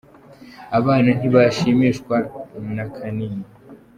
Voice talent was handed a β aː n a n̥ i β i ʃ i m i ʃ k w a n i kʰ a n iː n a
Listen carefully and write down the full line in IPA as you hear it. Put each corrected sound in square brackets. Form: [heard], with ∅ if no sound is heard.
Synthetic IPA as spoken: a β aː n a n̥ i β [a] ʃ i m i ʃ k w a n [a] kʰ a n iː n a